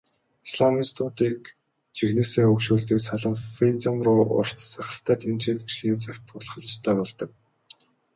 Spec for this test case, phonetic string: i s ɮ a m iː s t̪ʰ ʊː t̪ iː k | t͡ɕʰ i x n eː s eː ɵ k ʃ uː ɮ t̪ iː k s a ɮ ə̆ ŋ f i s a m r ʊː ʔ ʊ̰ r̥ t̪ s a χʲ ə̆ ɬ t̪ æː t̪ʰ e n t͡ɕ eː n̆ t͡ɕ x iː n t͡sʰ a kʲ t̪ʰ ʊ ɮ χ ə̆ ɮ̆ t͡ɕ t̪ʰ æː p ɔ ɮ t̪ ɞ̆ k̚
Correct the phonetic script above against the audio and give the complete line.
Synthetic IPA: i s ɮ a m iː s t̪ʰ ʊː t̪ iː k | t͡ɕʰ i x n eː s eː ɵ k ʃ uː ɮ t̪ iː k s a ɮ ə̆ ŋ f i t͡s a m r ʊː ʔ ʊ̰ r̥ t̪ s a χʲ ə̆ ɬ t̪ æː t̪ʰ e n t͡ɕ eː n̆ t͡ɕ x iː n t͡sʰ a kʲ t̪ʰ ʊ ɮ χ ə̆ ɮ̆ t͡ɕ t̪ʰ æː p ɔ ɮ t̪ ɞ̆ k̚